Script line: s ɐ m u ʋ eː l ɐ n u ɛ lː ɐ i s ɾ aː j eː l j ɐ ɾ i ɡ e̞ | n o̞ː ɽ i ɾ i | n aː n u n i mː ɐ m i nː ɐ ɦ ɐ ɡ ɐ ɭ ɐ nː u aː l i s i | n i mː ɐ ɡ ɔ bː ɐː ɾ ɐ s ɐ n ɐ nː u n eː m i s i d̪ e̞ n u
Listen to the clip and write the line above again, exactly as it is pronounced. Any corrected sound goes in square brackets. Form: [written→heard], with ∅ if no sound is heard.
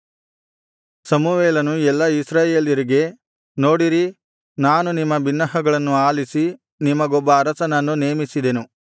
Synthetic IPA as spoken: s ɐ m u ʋ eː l ɐ n u ɛ lː ɐ i s ɾ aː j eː l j ɐ ɾ i ɡ e̞ | n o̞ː ɽ i ɾ i | n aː n u n i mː ɐ [m→b] i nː ɐ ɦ ɐ ɡ ɐ ɭ ɐ nː u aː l i s i | n i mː ɐ ɡ ɔ bː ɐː ɾ ɐ s ɐ n ɐ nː u n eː m i s i d̪ e̞ n u